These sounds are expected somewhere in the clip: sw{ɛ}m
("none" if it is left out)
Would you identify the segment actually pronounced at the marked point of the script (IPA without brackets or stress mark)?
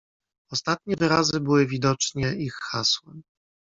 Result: ɛ